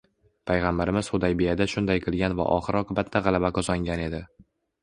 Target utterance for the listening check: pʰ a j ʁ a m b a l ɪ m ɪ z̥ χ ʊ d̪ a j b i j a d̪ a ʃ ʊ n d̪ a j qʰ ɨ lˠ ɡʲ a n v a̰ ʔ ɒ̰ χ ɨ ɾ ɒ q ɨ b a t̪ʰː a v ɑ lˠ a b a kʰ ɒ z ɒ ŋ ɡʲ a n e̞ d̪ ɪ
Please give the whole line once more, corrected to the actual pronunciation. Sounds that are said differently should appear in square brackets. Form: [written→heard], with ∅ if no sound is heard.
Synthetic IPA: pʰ a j ʁ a m b a [l→ɾ] ɪ m ɪ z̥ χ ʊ d̪ a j b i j a d̪ a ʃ ʊ n d̪ a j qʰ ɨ lˠ ɡʲ a n v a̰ ʔ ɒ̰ χ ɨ ɾ ɒ q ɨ b a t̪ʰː a [v→ʁ] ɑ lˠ a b a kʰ ɒ z ɒ ŋ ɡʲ a n e̞ d̪ ɪ